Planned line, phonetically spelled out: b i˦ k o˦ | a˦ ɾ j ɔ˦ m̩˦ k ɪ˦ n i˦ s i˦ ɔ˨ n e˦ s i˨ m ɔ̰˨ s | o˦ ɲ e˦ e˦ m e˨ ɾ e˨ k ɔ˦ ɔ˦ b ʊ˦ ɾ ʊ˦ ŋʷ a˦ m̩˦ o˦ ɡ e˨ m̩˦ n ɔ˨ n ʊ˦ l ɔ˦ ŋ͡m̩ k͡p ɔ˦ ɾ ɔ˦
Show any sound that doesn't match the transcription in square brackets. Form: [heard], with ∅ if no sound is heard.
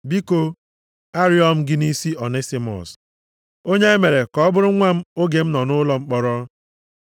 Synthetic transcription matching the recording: b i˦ k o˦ | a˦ ɾ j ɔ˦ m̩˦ [ɡ] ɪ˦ n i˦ s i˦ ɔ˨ n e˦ s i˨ m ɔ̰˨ s | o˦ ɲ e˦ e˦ m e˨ ɾ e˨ k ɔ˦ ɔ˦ b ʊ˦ ɾ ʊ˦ ŋʷ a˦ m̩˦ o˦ ɡ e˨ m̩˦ n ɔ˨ n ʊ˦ l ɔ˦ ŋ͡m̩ k͡p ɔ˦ ɾ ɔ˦